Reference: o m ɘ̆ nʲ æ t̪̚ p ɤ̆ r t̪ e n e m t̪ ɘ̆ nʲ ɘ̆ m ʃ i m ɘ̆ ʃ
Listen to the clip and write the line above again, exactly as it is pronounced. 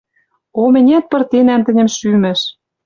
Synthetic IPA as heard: o m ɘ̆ nʲ æ t̪̚ p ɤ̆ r t̪ e n æ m t̪ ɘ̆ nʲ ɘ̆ m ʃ y m ɘ̆ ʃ